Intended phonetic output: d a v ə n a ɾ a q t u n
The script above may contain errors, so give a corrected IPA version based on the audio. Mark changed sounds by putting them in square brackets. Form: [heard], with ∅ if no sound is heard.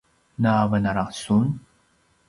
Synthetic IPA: [n] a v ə n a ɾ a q [s] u n